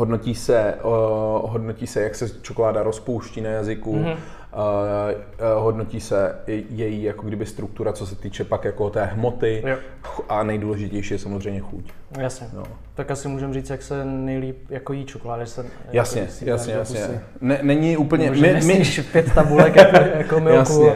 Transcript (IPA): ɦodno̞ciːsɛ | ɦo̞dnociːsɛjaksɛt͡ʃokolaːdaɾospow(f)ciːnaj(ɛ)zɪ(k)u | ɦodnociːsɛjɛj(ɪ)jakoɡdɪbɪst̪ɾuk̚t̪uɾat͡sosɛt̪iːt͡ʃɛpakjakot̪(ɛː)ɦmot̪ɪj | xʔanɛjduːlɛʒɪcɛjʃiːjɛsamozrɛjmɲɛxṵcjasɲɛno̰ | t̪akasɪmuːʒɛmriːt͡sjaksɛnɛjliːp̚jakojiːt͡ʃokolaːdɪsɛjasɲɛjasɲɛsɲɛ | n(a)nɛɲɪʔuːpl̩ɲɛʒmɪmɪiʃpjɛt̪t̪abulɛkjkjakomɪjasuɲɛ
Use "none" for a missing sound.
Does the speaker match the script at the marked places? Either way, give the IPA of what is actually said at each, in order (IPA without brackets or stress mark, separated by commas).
ʃ, a, k, i, ɛː, ɛ